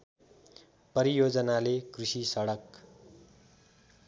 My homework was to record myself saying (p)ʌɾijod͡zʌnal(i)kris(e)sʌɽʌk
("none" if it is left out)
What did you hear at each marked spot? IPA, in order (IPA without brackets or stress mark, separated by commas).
p, e, i